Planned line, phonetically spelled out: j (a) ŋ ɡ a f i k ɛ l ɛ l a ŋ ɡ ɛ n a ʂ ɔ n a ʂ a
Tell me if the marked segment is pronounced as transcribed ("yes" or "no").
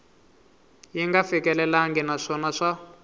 no